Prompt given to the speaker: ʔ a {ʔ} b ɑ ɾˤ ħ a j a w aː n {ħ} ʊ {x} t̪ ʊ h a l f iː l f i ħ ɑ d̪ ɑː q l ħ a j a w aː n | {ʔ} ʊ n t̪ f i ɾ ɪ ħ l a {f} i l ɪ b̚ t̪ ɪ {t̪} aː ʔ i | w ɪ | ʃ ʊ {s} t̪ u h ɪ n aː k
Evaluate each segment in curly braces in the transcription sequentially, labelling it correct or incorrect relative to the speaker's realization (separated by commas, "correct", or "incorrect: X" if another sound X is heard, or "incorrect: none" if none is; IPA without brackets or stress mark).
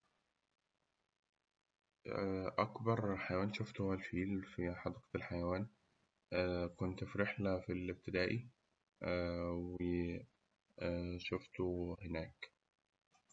incorrect: k, incorrect: ʃ, incorrect: f, incorrect: k, correct, incorrect: d̪, incorrect: f